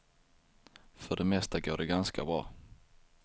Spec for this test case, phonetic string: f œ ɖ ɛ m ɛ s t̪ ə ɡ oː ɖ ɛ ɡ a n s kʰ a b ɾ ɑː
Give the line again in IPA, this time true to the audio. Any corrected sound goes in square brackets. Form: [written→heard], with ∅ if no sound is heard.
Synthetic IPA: f œ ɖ ɛ m ɛ s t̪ [ə→a] ɡ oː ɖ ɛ ɡ a n s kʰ a b ɾ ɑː